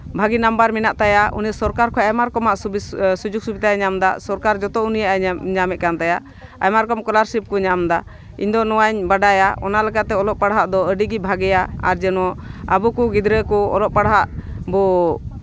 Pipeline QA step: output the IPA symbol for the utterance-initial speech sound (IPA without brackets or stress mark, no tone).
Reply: bʱ